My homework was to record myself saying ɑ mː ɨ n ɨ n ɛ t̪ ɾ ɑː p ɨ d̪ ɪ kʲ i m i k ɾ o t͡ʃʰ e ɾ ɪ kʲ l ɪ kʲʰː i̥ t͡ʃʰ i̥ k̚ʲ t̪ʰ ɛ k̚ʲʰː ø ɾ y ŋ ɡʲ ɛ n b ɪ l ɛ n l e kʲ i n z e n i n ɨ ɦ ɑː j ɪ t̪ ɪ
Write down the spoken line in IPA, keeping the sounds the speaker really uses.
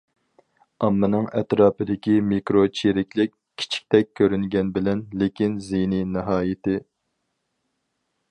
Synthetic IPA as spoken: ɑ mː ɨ n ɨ ŋ ɛ t̪ ɾ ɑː p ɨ d̪ ɪ kʲ i m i k ɾ o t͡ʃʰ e ɾ ɪ kʲ l ɪ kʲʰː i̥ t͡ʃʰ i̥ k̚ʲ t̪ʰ ɛ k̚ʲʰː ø ɾ y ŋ ɡʲ ɛ n b ɪ l ɛ n l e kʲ i n z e n i n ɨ ɦ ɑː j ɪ t̪ ɪ